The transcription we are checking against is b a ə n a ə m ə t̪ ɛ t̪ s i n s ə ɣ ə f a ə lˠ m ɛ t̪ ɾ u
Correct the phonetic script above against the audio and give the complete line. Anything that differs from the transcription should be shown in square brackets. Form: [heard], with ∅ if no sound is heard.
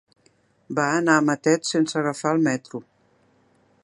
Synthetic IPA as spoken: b a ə n a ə m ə t̪ ɛ t̪ s [e] n s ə ɣ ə f a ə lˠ m ɛ t̪ ɾ u